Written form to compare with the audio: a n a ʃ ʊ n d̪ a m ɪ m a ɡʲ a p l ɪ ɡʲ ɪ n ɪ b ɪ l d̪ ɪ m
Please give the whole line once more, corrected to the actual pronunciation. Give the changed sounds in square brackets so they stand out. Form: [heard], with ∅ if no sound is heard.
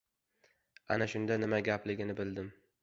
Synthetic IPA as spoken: a n a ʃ ʊ n d̪ a [n] ɪ m a ɡʲ a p l ɪ ɡʲ ɪ n ɪ b ɪ l d̪ ɪ m

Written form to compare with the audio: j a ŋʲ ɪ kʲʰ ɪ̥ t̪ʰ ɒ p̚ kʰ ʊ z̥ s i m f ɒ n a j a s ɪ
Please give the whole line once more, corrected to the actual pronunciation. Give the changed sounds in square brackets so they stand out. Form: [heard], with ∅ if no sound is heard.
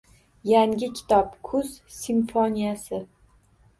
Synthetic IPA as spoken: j a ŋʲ ɪ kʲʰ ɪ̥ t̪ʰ ɒ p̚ kʰ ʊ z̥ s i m f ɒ n [i] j a s ɪ

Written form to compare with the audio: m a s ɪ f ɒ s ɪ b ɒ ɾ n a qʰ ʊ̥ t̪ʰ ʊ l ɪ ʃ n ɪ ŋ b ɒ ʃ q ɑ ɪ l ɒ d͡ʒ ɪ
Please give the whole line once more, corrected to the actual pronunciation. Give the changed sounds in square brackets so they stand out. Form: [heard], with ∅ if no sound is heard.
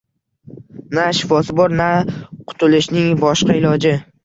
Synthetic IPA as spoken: [n] a [ʃ] ɪ f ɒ s ɪ b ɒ ɾ n a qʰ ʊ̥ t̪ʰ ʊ l ɪ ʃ n ɪ ŋ b ɒ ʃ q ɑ ɪ l ɒ d͡ʒ ɪ

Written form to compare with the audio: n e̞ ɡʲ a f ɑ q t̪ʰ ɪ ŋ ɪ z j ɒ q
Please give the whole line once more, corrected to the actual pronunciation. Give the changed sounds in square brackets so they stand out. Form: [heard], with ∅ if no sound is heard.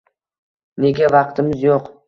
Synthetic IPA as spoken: n e̞ ɡʲ a [v] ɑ q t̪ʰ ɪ [m] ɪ z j [o] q

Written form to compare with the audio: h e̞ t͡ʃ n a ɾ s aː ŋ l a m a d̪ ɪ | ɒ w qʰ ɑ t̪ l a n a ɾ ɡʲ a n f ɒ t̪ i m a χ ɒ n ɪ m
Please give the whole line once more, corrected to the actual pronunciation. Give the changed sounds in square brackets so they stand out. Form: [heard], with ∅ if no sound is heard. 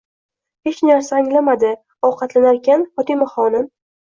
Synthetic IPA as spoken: h e̞ t͡ʃ n a ɾ s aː ŋ l a m a d̪ ɪ | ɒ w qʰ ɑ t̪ l a n a ɾ [kʲ] a n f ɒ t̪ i m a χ ɒ n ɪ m

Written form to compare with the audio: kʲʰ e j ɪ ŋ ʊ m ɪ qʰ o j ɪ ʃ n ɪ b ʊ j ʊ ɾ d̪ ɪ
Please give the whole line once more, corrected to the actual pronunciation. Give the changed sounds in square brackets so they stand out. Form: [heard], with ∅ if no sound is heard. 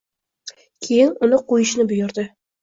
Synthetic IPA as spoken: kʲʰ e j ɪ [n] ʊ [n] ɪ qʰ o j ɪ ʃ n ɪ b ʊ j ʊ ɾ d̪ ɪ

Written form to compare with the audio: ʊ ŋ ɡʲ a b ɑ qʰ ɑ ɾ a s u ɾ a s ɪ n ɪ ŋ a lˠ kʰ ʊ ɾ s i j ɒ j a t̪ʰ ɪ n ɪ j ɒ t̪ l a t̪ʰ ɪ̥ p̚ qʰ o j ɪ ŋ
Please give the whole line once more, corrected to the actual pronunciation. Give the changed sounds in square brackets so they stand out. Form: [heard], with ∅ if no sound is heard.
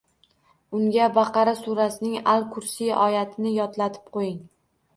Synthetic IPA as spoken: ʊ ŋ ɡʲ a b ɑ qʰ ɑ ɾ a s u ɾ a s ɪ n ɪ ŋ a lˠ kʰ ʊ ɾ s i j ɒ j a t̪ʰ ɪ n ɪ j ɒ t̪ l a t̪ʰ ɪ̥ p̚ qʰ o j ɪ ŋ

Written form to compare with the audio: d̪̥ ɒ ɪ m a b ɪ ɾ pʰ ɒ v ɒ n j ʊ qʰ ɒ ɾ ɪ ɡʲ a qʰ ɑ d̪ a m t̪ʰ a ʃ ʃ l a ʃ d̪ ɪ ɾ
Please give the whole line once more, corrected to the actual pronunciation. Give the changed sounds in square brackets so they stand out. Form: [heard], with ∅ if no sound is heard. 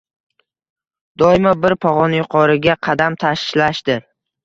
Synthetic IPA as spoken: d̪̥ ɒ ɪ m a b ɪ ɾ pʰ ɒ [ʁ] ɒ n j ʊ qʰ ɒ ɾ ɪ ɡʲ a qʰ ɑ d̪ a m t̪ʰ a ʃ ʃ l a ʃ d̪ ɪ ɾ

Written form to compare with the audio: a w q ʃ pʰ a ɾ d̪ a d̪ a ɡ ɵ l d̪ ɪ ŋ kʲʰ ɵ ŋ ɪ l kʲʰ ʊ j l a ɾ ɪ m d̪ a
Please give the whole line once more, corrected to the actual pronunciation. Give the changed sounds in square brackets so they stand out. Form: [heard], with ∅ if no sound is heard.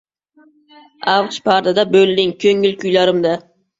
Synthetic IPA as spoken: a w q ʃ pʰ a ɾ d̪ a d̪ a [b] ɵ l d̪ ɪ ŋ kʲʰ ɵ ŋ ɪ l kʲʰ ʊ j l a ɾ ɪ m d̪ a

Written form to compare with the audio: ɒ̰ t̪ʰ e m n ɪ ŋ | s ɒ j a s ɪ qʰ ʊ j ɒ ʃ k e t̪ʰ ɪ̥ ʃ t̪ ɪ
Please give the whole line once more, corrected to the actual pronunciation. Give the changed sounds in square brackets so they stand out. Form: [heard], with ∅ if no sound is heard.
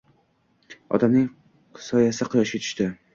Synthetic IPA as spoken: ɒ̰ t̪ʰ [a] m n ɪ ŋ | s ɒ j a s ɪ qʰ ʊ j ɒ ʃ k e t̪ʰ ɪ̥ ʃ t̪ ɪ

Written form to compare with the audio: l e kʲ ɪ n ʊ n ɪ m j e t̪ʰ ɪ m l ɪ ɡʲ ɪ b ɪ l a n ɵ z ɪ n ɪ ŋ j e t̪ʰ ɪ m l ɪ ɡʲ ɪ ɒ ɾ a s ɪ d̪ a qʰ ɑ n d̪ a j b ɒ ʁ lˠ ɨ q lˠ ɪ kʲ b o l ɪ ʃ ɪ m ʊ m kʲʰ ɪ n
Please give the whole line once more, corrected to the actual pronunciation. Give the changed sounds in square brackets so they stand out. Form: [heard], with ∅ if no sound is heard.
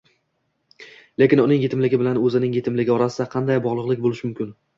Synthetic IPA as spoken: l e kʲ ɪ n ʊ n ɪ [ŋ] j e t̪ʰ ɪ m l ɪ ɡʲ ɪ b ɪ l a n ɵ z ɪ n ɪ ŋ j e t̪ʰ ɪ m l ɪ ɡʲ ɪ ɒ ɾ a s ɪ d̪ a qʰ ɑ n d̪ a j b ɒ ʁ lˠ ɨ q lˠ ɪ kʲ b o l ɪ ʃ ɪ m ʊ m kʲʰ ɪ n

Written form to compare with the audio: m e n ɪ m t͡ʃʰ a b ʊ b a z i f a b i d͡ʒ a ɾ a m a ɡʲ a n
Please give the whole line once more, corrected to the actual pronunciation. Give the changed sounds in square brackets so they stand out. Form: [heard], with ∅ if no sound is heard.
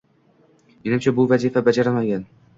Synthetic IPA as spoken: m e n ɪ m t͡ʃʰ a b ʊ [v] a z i f a b [a] d͡ʒ a ɾ a m a ɡʲ a n

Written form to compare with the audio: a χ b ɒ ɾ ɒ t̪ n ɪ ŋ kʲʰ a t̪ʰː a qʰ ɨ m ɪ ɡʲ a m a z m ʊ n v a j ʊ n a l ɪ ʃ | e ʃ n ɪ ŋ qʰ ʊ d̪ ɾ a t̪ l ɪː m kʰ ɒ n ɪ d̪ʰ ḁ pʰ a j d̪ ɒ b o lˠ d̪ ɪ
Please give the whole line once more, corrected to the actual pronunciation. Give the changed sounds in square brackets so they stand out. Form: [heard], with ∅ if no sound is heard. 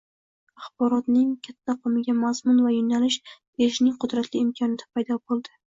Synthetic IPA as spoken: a χ b ɒ ɾ ɒ t̪ n ɪ ŋ kʲʰ a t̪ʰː a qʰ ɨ m ɪ ɡʲ a m a z m ʊ n v a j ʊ n a l ɪ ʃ | e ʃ n ɪ ŋ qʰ ʊ d̪ ɾ a t̪ l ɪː m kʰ ɒ n ɪ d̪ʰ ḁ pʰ a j d̪ ɒ b o lˠ d̪ ɪ

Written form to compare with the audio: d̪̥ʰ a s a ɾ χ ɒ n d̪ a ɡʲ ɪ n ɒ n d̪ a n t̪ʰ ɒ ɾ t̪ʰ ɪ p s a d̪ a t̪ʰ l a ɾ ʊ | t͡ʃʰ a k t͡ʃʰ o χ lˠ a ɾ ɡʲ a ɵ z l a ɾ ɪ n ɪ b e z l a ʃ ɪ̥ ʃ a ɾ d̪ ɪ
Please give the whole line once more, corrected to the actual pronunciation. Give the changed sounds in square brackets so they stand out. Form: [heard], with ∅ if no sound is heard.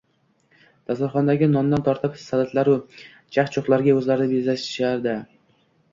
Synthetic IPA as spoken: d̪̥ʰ a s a ɾ χ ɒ n d̪ a ɡʲ ɪ n ɒ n d̪ a n t̪ʰ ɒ ɾ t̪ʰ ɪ p s a d̪ a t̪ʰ l a ɾ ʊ | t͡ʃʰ a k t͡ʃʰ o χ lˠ a ɾ ɡʲ a ɵ z l a ɾ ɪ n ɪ b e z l a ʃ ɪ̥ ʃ a ɾ d̪ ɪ

